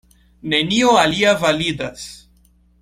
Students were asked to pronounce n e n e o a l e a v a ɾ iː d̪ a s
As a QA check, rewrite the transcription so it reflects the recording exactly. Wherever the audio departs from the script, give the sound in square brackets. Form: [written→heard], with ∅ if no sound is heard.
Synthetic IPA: n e n [e→i] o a l [e→i] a v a [ɾ→l] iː d̪ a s